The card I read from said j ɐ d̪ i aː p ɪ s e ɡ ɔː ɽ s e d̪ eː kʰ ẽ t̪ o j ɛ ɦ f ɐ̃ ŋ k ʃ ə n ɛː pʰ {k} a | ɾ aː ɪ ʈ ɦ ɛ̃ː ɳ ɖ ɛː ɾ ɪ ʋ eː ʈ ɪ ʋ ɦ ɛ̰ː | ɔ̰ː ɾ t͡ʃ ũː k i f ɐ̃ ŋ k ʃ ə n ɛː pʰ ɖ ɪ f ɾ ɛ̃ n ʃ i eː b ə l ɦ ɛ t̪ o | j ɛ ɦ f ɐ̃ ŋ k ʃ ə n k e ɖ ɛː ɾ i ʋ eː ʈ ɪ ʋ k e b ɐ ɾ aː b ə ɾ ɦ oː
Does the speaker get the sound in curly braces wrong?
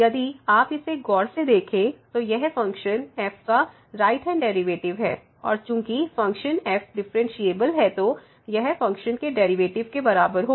no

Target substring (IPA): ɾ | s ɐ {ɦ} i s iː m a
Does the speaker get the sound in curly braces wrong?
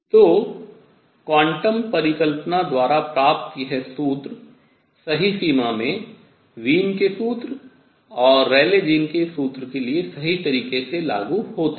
no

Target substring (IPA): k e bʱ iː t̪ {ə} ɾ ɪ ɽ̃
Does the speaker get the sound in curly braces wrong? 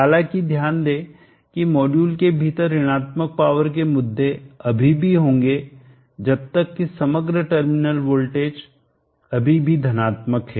no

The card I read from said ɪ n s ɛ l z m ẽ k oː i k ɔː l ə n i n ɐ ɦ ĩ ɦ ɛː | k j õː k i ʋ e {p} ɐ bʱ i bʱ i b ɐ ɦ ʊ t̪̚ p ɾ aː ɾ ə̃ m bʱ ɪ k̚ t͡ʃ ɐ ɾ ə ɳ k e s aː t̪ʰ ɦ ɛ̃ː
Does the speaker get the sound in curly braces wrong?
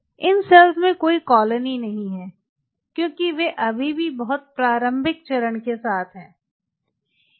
yes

